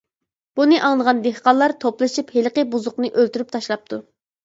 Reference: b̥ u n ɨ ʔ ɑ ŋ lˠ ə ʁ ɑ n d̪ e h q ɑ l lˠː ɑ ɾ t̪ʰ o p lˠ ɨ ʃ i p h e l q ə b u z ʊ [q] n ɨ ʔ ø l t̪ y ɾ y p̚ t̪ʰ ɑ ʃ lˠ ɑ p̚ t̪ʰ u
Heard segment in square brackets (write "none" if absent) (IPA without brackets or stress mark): q